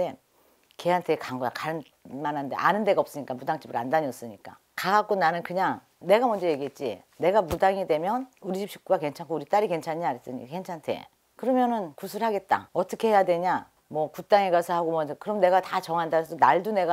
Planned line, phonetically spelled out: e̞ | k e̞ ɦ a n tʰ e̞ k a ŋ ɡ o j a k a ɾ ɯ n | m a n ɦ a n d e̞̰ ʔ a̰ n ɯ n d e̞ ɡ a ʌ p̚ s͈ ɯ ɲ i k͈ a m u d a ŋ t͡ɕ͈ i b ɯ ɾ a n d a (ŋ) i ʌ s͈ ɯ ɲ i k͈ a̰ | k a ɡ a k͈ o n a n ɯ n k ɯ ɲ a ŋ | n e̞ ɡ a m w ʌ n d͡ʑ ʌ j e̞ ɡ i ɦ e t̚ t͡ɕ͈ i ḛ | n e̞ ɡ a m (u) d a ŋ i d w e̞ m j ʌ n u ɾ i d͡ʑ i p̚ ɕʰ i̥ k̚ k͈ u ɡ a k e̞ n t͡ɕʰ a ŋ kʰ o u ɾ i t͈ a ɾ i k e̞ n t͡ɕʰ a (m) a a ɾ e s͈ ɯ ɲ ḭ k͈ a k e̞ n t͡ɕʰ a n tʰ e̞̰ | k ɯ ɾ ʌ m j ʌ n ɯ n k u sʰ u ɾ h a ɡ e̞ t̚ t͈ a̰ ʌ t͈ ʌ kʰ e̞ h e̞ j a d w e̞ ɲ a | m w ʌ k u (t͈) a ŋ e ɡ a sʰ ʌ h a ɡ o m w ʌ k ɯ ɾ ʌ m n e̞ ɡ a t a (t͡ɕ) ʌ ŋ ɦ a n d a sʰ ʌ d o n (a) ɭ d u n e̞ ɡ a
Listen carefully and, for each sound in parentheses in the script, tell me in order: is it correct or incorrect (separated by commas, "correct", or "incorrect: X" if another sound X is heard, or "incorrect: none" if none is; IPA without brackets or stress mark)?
incorrect: ɲ, correct, incorrect: ɲ, correct, correct, correct